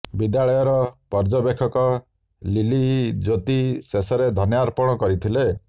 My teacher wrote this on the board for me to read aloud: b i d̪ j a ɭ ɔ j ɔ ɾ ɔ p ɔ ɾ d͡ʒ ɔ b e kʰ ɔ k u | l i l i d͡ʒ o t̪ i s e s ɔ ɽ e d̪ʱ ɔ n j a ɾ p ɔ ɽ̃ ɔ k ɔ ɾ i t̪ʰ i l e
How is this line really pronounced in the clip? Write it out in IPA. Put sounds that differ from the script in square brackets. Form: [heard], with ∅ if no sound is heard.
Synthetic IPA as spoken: b i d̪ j a ɭ ɔ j ɔ ɾ ɔ p ɔ ɾ d͡ʒ ɔ b e kʰ ɔ k [ɔ] | l i l i d͡ʒ o t̪ i s e s ɔ [ɾ] e d̪ʱ ɔ n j a ɾ p ɔ ɽ̃ ɔ k ɔ ɾ i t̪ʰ i l e